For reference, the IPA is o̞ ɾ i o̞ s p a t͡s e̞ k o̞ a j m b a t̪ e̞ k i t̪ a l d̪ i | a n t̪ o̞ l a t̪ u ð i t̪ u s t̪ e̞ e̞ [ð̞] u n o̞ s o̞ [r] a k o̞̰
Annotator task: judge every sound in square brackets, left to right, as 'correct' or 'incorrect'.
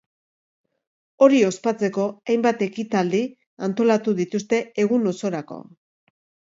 incorrect: ɣ̞, incorrect: ɾ

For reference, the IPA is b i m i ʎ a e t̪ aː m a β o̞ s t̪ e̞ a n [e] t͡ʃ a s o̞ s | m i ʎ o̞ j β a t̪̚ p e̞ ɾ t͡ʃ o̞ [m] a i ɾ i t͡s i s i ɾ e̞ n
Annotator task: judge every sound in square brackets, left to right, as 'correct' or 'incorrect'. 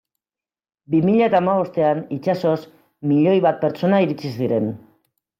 incorrect: i, incorrect: n

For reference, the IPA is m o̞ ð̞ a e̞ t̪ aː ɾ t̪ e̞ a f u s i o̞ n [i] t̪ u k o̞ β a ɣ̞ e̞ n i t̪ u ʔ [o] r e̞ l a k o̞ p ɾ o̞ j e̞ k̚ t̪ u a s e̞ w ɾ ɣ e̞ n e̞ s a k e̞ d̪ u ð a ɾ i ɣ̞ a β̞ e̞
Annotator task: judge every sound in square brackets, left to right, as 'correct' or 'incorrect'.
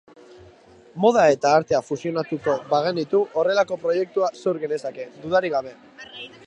incorrect: a, correct

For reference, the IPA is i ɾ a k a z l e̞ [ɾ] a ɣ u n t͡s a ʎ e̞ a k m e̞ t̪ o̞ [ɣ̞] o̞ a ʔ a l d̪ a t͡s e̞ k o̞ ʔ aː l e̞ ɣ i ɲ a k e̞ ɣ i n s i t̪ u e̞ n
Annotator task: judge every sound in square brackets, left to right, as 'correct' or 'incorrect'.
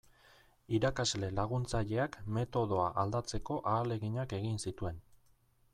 incorrect: l, incorrect: ð̞

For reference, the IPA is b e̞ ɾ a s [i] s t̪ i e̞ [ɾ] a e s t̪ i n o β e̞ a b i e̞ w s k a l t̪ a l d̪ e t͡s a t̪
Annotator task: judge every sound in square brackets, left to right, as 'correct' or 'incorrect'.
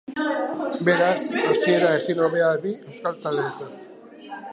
incorrect: a, correct

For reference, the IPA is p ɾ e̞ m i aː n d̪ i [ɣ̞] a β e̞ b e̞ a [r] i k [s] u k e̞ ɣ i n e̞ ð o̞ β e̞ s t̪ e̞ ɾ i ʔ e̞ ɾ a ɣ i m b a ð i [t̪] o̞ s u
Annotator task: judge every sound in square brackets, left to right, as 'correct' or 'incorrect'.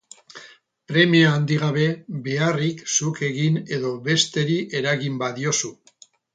correct, correct, correct, incorrect: none

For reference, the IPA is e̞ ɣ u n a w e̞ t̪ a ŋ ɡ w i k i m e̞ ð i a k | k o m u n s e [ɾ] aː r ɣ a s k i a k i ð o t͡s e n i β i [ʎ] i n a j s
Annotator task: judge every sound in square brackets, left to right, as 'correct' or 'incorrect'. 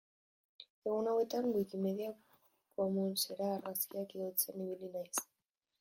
correct, incorrect: l

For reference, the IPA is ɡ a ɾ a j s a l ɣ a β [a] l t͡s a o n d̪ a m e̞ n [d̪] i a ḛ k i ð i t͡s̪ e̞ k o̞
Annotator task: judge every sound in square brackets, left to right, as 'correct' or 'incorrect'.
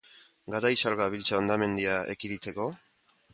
incorrect: i, correct

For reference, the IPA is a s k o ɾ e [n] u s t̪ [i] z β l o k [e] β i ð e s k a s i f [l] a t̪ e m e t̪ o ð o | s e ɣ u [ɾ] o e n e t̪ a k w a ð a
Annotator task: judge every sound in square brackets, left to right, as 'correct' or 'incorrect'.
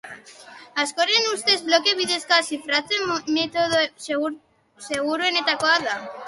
correct, incorrect: e, correct, incorrect: ɾ, correct

